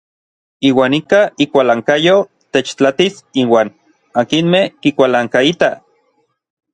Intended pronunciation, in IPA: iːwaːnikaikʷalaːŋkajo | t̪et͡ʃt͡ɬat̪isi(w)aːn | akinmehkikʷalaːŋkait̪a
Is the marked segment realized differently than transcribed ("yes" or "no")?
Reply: no